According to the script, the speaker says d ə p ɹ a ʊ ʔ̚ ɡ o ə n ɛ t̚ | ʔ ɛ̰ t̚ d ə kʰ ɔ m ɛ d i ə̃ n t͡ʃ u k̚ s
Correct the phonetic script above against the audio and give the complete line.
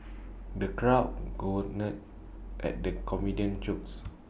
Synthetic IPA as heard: d ə k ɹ a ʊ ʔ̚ ɡ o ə n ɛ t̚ | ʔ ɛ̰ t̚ d ə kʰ ɔ m i d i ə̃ n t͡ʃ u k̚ s